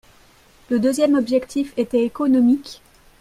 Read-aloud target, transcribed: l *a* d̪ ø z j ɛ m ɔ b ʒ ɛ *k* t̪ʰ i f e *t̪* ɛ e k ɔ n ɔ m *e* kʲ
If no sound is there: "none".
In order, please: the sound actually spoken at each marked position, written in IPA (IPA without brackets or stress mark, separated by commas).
ə, k, t̪, i